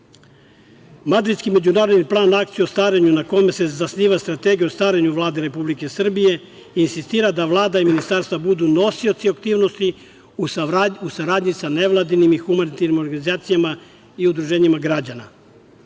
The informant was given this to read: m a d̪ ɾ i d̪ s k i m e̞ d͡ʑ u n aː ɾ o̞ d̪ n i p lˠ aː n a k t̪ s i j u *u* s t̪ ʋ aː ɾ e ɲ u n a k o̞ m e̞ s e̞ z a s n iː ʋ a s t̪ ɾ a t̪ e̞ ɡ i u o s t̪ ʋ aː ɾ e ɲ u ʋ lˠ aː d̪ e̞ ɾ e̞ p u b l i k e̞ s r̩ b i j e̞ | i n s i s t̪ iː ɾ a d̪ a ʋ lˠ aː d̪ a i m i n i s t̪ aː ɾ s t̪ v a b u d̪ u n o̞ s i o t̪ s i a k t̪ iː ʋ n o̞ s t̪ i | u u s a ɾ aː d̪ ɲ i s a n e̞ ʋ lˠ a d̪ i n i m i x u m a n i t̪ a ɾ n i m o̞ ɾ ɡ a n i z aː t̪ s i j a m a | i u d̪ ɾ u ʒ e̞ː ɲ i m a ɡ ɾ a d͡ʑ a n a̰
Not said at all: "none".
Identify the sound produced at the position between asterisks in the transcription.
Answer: o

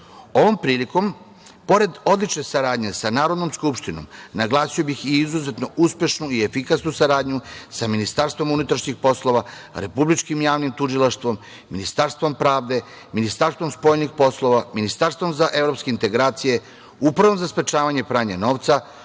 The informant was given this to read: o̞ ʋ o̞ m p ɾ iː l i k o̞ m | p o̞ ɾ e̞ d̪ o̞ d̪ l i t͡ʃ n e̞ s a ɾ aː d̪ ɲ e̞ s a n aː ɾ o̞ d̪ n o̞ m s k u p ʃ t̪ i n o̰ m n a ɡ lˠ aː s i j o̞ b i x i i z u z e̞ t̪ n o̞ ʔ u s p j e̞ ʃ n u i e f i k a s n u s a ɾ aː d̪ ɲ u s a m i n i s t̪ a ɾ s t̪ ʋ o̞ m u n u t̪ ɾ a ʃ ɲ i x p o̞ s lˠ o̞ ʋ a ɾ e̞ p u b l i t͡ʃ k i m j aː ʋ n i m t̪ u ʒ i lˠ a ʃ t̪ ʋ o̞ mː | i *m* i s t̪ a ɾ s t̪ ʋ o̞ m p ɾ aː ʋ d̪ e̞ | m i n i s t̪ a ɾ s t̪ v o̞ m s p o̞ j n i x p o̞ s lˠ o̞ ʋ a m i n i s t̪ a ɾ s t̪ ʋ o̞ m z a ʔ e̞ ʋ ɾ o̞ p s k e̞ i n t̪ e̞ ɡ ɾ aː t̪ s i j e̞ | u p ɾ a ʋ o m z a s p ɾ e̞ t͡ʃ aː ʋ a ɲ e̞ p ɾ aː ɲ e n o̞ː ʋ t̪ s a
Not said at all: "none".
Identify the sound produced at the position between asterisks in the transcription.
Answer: n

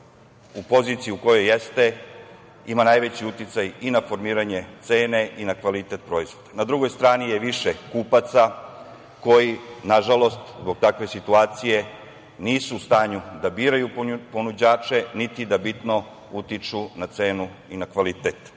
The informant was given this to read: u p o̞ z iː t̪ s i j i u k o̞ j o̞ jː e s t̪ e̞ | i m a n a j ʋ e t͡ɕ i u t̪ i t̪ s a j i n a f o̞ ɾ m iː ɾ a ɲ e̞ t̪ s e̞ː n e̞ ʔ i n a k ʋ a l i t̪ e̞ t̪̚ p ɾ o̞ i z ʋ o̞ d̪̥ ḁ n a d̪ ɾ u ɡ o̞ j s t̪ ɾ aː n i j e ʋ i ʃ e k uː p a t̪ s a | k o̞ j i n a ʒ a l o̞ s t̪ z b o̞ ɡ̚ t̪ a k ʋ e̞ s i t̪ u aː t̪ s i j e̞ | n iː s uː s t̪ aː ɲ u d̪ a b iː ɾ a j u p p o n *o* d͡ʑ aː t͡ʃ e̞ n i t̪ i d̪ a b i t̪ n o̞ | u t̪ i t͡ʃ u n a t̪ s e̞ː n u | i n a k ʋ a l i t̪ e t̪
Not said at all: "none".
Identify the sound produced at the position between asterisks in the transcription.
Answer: u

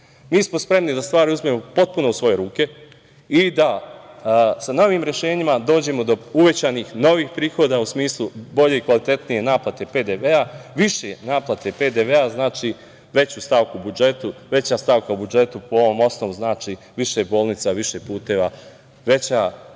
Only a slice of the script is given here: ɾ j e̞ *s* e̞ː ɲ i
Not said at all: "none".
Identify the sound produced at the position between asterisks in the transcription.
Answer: ʃ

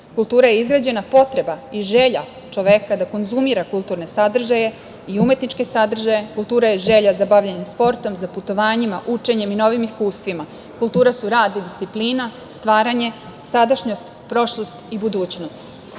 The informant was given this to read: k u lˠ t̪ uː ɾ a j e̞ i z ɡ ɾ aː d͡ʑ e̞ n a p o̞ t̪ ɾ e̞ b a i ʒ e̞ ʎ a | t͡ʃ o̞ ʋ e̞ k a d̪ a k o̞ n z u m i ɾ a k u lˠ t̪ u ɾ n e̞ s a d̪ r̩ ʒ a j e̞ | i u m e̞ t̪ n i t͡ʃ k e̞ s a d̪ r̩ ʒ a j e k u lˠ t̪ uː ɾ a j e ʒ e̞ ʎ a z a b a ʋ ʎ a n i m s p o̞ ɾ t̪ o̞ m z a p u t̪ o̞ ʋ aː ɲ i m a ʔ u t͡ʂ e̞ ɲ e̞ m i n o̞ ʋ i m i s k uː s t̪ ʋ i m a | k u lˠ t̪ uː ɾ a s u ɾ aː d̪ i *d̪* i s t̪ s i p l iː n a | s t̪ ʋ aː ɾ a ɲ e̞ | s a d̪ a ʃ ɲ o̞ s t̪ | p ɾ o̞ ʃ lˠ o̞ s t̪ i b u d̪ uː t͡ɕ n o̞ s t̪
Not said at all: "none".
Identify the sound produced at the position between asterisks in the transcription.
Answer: d̪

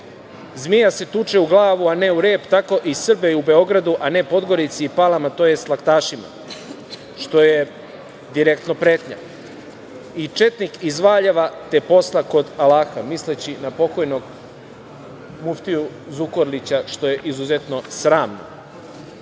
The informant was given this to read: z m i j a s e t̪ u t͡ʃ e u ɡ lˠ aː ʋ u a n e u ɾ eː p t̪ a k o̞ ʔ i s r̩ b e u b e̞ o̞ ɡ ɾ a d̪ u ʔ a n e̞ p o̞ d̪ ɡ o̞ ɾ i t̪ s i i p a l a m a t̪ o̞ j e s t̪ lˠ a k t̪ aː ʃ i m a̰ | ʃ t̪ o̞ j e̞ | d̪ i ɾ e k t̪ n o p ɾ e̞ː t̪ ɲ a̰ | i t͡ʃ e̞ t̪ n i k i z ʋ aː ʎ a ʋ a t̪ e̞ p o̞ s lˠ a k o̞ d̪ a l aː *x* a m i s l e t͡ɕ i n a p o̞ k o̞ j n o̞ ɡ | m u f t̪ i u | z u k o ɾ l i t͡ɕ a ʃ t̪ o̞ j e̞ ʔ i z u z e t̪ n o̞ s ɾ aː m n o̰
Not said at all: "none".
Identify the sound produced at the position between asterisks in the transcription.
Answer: x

